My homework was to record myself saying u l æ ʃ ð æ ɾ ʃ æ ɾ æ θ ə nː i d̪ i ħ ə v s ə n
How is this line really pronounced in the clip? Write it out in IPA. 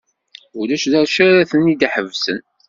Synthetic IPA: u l æ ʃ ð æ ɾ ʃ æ ɾ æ θ ə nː i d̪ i ħ ə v s ə n